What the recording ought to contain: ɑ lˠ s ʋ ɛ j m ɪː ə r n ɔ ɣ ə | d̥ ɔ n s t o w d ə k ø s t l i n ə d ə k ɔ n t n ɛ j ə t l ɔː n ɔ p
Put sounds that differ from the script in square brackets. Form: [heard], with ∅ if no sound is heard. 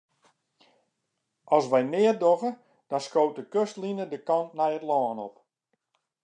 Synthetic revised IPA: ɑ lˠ s ʋ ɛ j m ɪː ə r [d] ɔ ɣ ə | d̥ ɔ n s [k] o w [t] ə k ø s t l i n ə d ə k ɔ n t n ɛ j ə t l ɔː n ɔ p